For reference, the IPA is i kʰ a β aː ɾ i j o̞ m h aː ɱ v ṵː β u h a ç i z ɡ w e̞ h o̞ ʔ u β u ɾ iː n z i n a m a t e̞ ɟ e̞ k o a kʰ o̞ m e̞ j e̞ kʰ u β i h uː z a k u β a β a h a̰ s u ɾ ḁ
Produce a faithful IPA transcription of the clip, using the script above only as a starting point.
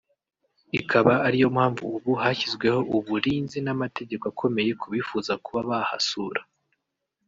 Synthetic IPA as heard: i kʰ a β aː ɾ i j o̞ m h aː ɱ v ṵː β u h a ç i z ɡ w e̞ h o̞ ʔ u β u ɾ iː n z i n a m a t e̞ ɟ e̞ k o a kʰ o̞ m e̞ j e̞ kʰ u β i f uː z a k u β a β a h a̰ s u ɾ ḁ